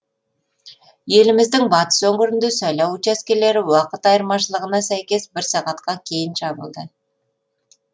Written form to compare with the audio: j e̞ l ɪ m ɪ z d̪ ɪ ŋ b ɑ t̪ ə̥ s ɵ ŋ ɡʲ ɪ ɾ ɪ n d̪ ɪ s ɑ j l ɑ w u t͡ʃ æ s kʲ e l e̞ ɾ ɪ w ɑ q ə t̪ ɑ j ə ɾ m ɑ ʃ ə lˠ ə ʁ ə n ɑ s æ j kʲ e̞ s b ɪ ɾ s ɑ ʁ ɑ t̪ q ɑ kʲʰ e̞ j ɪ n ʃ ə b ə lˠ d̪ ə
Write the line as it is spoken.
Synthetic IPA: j e̞ l ɪ m ɪ z d̪ ɪ ŋ b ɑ t̪ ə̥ s ɵ ŋ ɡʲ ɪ ɾ ɪ n d̪ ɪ s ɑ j l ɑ w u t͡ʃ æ s kʲ e l e̞ ɾ ɪ w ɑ q ə t̪ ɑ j ə ɾ m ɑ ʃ ə lˠ ə ʁ ə n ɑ s æ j kʲ e̞ s b ɪ ɾ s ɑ ʁ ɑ t̪ q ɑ kʲʰ e̞ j ɪ n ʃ ɑ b ə lˠ d̪ ə